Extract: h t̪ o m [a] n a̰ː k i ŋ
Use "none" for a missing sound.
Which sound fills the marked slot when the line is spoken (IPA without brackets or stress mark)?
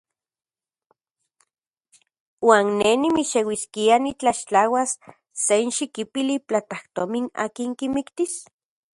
i